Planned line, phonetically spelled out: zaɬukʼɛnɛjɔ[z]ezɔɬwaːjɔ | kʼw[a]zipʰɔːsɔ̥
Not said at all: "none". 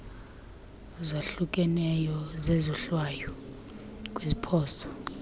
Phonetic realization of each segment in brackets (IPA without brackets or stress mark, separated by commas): z, i